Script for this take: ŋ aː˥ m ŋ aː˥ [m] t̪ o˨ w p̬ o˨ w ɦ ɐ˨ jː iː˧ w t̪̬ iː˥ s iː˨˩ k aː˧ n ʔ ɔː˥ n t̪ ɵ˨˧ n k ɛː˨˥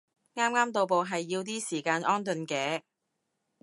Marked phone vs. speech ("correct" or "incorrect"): correct